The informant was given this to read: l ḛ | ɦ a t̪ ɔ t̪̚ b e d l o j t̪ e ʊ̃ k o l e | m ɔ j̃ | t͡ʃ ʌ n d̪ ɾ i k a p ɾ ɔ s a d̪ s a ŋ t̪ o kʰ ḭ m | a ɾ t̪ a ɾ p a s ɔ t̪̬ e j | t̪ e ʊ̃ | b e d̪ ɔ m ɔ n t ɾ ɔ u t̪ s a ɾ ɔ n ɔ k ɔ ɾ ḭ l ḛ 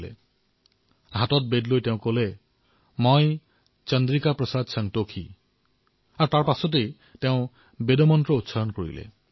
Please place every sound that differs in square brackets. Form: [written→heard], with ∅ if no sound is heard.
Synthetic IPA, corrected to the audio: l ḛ | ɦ a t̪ ɔ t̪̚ b e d l o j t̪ e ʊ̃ k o l e | m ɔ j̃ | t͡ʃ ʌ n d̪ ɾ i k a p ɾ ɔ s a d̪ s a ŋ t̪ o kʰ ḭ [m→∅] | a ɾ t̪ a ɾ p a s ɔ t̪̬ e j | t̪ e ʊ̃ | b e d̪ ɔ m ɔ n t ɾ ɔ u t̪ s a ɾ ɔ n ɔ k ɔ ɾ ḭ l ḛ